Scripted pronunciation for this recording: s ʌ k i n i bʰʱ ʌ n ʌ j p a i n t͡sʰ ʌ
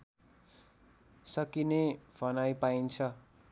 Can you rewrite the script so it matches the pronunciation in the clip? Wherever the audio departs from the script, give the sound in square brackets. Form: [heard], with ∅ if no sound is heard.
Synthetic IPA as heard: s ʌ k i n [e] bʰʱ ʌ n [a] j p a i n t͡sʰ ʌ